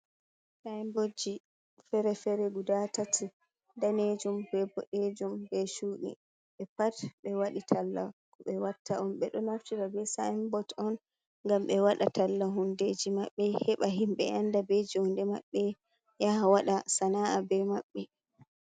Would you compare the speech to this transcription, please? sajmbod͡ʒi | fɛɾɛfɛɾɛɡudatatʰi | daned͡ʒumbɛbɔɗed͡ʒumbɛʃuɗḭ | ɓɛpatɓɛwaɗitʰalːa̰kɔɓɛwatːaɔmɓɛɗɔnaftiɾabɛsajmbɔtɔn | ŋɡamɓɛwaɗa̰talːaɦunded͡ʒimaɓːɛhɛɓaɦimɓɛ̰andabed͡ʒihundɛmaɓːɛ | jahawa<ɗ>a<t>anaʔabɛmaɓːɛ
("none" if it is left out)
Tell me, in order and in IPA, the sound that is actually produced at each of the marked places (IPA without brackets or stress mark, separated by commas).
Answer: ɗ, s